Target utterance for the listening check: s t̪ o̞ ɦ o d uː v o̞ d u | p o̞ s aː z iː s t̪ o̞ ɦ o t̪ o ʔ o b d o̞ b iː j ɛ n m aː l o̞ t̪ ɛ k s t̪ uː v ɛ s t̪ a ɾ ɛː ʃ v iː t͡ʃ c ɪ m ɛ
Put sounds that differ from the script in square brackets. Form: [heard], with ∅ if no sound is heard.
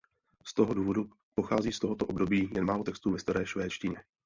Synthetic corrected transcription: s t̪ o̞ ɦ o d uː v o̞ d u | p o̞ [x] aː z iː s t̪ o̞ ɦ o t̪ o ʔ o b d o̞ b iː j ɛ n m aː l o̞ t̪ ɛ k s t̪ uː v ɛ s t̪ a ɾ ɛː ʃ v [ɛː] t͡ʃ c ɪ [ɲ] ɛ